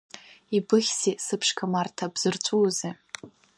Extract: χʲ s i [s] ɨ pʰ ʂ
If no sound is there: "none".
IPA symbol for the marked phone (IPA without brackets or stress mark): s